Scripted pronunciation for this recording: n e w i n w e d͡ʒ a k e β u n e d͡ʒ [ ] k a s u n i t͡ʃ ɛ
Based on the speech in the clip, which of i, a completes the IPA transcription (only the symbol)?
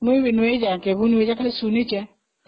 a